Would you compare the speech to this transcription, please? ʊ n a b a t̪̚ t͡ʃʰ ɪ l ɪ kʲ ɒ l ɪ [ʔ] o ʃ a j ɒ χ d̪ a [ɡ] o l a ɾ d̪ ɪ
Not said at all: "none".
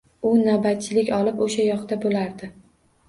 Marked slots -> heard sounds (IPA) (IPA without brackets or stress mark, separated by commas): p, b